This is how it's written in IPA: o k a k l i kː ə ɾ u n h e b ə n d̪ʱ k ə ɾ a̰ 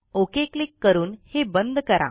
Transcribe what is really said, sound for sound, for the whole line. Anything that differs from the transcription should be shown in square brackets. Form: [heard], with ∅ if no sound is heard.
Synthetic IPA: o k [e] k l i kː ə ɾ [uː] n h e b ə n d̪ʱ k ə ɾ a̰